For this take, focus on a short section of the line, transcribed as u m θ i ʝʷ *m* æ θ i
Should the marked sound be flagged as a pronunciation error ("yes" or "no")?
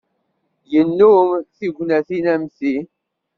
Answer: yes